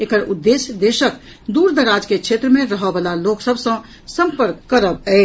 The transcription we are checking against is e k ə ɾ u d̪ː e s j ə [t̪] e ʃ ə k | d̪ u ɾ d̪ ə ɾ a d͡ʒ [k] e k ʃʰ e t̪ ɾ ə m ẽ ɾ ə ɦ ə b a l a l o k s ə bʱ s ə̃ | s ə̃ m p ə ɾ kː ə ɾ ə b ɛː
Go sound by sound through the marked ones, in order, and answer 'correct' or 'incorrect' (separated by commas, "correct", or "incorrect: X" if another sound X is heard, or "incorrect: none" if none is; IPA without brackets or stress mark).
incorrect: d̪, correct